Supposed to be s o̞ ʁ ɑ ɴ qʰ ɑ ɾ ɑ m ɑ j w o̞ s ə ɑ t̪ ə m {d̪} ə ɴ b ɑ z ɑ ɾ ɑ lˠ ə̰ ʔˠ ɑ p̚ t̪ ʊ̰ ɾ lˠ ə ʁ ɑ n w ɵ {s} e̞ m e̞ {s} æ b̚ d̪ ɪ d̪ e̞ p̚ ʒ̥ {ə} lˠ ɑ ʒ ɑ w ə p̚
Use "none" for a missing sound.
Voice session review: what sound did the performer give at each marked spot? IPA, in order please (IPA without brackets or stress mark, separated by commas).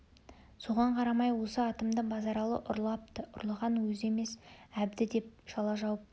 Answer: d̪, z, s, ɑ